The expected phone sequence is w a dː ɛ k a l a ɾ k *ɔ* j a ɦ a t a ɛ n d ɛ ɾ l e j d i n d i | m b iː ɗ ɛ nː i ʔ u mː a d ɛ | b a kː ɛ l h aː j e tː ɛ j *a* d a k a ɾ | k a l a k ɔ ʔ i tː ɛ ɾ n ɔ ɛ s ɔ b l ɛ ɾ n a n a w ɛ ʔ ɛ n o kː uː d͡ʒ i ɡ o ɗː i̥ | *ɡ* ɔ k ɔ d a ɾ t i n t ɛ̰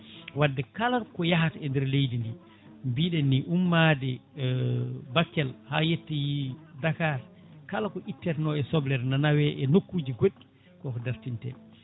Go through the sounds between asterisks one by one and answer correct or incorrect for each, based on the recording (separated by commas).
correct, incorrect, incorrect